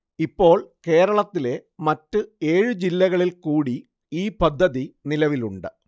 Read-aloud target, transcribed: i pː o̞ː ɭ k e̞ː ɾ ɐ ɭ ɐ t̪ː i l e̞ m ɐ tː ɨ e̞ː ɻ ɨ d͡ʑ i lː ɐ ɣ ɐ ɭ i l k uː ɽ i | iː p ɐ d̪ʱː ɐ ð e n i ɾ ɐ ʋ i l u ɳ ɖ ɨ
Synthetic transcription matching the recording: i pː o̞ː ɭ k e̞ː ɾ ɐ ɭ ɐ t̪ː i l e̞ m ɐ tː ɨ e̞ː ɻ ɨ d͡ʑ i lː ɐ ɣ ɐ ɭ i l k uː ɽ i | iː p ɐ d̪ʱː ɐ ð i n i l ɐ ʋ i l u ɳ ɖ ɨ